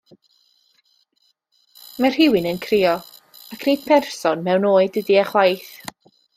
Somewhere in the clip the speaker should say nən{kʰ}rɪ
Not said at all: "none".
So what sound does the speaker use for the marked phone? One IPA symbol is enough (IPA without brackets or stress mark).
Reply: kʰ